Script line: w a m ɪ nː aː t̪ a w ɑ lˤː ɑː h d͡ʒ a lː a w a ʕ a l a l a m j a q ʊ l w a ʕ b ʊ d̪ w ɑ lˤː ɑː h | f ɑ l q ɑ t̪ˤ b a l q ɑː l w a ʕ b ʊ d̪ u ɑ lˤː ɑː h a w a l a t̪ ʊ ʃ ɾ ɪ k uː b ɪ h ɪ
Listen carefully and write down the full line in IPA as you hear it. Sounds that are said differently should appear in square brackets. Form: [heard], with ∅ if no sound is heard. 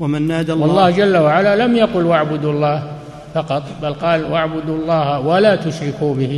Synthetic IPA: w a m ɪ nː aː [d̪] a w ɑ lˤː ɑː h d͡ʒ a lː a w a ʕ a l a l a m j a q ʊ l w a ʕ b ʊ d̪ [u] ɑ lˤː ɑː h | f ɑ [∅] q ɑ t̪ˤ b a l q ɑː l w a ʕ b ʊ d̪ u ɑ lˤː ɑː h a w a l a t̪ ʊ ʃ ɾ ɪ k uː b ɪ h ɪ